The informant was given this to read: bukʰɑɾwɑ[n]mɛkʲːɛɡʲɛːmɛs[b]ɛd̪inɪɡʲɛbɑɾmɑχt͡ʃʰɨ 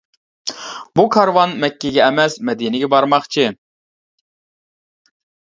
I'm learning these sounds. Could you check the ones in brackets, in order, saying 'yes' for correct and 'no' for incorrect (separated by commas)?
yes, no